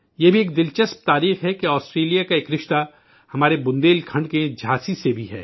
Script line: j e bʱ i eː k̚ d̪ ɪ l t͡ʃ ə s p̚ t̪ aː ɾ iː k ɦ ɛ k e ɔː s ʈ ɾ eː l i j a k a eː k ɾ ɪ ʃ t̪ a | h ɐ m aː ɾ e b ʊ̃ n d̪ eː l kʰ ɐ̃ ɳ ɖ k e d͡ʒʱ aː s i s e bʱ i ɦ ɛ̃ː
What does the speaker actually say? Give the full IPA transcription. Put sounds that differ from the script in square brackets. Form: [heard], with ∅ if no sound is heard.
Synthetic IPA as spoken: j e bʱ i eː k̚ d̪ ɪ l t͡ʃ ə s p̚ t̪ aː ɾ iː [x] ɦ ɛ k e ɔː s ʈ ɾ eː l i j a k a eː k ɾ ɪ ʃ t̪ a | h ɐ m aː ɾ e b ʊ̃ n d̪ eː l kʰ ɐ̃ ɳ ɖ k e d͡ʒʱ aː s i s e bʱ i ɦ [ɛː]